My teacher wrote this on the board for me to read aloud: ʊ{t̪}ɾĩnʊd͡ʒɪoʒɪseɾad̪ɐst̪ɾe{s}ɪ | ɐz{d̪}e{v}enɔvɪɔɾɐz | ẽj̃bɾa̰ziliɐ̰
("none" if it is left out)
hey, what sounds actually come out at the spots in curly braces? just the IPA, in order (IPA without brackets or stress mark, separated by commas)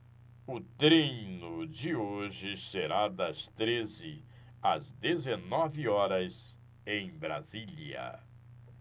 t̪, z, d̪, z